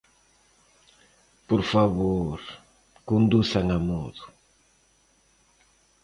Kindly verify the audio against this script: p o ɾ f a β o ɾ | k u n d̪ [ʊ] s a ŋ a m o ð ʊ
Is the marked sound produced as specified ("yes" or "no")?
no